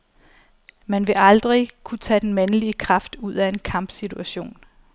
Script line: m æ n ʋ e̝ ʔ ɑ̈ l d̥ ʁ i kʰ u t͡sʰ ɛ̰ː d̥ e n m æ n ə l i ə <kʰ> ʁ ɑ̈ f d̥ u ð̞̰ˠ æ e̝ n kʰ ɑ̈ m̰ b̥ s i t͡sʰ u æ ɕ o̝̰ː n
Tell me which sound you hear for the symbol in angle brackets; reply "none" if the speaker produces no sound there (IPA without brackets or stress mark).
kʰ